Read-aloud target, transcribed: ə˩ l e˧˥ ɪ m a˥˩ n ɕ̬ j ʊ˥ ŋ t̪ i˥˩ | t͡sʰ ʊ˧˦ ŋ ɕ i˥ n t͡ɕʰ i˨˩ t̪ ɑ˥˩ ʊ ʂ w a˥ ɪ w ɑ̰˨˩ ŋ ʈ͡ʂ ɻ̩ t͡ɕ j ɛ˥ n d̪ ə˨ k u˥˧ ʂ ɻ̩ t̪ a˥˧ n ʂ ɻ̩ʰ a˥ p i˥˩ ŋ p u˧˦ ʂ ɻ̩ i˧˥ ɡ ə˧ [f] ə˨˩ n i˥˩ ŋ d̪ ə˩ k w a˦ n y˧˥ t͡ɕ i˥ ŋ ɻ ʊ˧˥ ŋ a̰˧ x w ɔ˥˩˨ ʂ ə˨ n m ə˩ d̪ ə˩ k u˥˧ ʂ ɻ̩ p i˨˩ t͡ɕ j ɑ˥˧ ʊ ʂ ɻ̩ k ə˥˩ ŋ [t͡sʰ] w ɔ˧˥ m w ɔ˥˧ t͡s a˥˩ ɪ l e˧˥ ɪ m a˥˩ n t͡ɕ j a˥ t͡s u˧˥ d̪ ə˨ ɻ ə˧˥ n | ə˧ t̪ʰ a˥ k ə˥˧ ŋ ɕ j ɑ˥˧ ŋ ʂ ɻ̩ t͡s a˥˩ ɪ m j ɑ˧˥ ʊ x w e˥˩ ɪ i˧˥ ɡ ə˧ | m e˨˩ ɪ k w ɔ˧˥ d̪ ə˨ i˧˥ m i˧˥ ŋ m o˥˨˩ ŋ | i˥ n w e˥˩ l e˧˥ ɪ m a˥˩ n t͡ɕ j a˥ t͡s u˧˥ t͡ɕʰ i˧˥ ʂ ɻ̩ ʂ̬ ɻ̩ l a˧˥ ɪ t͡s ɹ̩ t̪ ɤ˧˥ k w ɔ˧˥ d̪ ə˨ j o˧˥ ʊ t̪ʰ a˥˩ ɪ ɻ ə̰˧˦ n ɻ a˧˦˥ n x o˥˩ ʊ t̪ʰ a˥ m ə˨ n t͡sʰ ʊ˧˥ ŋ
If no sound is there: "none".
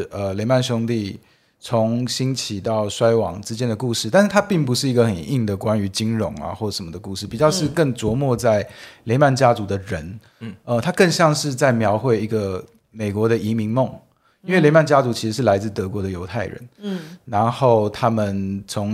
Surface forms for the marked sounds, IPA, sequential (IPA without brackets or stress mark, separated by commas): x, t͡s